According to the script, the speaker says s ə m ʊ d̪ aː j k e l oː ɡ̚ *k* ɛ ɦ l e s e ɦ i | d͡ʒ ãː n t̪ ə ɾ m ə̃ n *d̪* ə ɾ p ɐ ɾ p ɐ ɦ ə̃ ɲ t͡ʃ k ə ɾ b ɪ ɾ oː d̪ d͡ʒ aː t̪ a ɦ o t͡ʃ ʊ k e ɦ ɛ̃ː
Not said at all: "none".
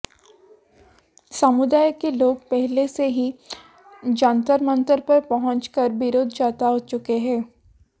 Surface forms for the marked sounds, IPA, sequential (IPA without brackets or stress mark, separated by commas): p, t̪